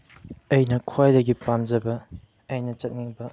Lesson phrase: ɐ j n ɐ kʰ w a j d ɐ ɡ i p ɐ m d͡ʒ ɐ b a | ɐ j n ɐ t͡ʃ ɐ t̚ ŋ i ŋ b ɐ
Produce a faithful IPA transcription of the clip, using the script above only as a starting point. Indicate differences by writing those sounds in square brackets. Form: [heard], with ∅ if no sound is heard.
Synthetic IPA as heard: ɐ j n ɐ kʰ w a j d ɐ ɡ i p [a] m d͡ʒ ɐ b [ɐ] | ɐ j n ɐ t͡ʃ ɐ t̚ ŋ i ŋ b ɐ